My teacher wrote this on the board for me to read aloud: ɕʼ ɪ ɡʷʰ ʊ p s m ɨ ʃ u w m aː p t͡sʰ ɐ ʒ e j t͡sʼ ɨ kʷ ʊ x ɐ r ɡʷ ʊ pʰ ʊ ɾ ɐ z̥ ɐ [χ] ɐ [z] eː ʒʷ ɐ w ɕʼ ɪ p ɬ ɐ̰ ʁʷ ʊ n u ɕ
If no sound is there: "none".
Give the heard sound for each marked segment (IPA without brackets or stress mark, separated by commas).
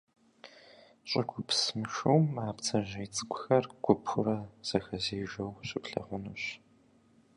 x, z